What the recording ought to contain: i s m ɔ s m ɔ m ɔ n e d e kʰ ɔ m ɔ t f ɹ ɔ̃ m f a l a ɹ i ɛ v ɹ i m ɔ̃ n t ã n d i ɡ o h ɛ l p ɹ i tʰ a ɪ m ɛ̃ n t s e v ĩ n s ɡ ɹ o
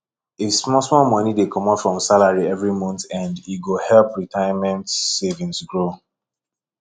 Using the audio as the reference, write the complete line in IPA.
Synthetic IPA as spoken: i s m ɔ s m ɔ m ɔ n i d e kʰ ɔ m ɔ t f ɹ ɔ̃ m s a l a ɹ i ɛ v ɹ i m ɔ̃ n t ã n d i ɡ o h ɛ l p ɹ i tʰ a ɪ m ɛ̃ n t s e v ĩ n s ɡ ɹ o